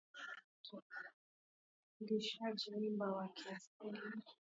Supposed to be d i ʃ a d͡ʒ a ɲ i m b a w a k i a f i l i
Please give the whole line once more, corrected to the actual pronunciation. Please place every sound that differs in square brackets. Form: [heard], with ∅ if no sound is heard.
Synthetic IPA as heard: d i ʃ a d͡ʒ [i] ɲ i m b a w a k i a [s] i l i